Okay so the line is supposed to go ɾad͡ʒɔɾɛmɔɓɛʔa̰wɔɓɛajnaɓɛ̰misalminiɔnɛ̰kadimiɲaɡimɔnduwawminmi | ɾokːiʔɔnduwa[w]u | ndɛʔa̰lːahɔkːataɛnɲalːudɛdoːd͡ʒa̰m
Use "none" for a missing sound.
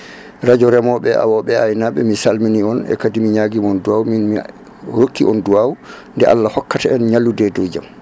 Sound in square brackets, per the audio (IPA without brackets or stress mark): w